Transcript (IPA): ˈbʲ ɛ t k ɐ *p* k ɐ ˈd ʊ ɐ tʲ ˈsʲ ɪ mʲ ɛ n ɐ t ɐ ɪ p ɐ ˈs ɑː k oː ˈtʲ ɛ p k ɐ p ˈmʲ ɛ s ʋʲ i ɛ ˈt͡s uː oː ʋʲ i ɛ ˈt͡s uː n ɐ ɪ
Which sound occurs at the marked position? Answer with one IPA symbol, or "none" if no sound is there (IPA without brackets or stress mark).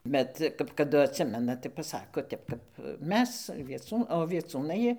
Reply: p